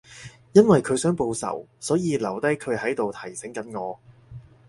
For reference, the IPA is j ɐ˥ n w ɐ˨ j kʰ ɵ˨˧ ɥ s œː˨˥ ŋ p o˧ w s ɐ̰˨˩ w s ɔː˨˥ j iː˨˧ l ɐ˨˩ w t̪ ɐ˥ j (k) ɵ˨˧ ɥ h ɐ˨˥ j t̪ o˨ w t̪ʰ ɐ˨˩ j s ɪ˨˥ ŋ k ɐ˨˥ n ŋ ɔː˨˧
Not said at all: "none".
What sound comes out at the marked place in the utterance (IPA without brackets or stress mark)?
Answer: kʰ